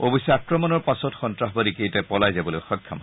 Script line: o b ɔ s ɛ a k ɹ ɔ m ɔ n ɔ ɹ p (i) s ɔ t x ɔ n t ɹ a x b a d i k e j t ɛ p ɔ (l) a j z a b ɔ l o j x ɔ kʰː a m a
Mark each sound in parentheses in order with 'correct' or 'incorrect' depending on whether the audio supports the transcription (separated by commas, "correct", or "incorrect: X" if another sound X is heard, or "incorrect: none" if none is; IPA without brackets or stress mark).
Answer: incorrect: a, correct